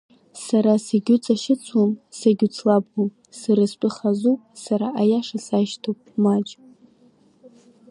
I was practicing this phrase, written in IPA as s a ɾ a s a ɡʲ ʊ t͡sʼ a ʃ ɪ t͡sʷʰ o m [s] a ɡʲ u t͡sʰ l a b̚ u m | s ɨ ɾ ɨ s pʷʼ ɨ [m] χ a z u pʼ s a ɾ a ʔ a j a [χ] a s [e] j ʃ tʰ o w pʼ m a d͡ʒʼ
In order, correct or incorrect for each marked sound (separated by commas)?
correct, incorrect, incorrect, incorrect